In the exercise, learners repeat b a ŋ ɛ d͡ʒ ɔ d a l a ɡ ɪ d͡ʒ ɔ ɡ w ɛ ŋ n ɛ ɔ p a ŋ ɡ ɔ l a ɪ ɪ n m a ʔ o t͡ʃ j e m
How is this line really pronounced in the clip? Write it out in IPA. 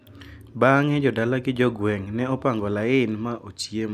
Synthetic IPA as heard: b a ŋ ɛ d͡ʒ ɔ d a l a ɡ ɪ d͡ʒ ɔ ɡ w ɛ ŋ n ɛ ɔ p a ŋ ɡ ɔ l a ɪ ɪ n m a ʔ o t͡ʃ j e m